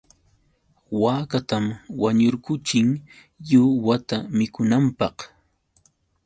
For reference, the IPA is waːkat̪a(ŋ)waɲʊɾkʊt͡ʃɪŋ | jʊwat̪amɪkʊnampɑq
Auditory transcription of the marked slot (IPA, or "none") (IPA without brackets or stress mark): m